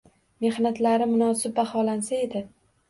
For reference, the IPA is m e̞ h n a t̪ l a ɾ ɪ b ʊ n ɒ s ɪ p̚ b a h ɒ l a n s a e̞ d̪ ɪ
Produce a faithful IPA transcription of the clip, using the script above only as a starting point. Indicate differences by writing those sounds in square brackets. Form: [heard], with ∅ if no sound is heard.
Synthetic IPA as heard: m e̞ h n a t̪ l a ɾ ɪ [m] ʊ n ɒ s ɪ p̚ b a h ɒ l a n s a e̞ d̪ ɪ